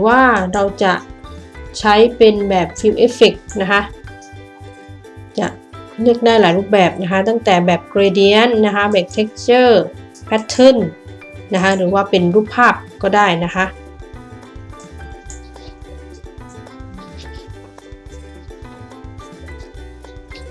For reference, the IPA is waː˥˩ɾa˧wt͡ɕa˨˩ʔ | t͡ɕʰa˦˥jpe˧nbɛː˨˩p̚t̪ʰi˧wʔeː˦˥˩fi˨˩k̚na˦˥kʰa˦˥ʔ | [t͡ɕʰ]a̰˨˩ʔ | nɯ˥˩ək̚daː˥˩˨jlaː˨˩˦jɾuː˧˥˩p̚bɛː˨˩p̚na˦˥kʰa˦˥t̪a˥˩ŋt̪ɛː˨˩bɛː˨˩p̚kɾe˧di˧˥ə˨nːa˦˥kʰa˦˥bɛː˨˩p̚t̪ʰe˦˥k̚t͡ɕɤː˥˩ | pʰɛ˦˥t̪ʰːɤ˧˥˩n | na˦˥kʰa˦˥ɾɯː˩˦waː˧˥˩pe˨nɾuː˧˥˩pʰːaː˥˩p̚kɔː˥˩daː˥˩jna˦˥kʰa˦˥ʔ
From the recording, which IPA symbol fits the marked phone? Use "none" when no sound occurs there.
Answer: t͡ɕ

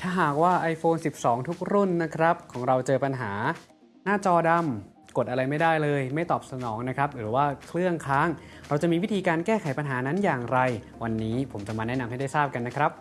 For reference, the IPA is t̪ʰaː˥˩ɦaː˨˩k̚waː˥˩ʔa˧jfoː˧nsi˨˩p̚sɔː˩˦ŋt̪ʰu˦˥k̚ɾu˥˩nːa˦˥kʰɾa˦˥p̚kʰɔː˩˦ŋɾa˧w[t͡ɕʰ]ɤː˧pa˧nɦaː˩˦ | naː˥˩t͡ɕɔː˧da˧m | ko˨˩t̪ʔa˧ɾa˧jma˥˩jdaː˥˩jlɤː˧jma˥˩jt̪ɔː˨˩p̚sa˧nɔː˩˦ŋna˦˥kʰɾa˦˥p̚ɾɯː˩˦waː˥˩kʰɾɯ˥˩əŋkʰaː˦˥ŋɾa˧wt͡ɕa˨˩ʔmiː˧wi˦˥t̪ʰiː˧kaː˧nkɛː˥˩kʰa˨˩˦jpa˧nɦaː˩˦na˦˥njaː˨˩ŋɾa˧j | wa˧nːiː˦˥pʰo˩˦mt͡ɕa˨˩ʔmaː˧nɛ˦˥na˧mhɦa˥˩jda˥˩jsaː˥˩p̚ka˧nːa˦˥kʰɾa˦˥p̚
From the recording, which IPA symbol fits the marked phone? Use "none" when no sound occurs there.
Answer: t͡ɕ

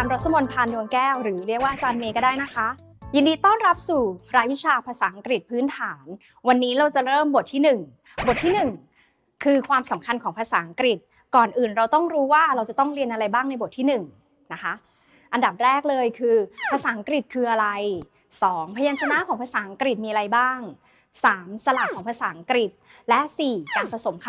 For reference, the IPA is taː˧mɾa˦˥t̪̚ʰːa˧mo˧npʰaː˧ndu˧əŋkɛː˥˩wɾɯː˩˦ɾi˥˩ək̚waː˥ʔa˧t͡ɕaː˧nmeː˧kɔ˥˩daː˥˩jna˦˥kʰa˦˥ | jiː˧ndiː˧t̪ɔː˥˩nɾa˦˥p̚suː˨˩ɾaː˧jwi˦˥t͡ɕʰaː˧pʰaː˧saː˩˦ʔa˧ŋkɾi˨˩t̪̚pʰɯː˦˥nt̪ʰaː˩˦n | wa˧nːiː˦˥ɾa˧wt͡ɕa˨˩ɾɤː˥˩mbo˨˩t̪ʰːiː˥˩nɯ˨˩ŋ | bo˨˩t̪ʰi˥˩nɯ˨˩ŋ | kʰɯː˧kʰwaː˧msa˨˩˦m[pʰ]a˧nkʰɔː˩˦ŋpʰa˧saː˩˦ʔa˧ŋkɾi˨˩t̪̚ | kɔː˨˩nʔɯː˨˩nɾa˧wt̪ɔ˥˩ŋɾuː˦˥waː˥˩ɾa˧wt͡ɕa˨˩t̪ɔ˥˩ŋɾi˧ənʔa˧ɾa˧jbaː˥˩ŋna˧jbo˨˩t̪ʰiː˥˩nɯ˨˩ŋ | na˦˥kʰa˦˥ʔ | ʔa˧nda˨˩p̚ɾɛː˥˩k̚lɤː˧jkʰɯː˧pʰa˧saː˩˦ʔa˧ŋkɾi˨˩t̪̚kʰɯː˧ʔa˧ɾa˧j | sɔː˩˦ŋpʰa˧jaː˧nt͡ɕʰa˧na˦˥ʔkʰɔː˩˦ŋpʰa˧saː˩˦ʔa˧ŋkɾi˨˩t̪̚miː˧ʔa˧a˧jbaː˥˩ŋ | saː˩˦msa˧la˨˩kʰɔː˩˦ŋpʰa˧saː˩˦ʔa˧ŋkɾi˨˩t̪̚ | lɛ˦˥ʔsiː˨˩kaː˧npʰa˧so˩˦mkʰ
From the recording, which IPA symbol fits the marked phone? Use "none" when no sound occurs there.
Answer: kʰ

